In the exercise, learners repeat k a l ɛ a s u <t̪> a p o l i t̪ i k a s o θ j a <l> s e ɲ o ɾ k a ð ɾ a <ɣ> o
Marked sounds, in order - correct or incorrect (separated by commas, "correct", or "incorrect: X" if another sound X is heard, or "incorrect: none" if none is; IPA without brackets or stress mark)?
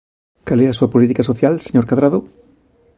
incorrect: none, correct, incorrect: ð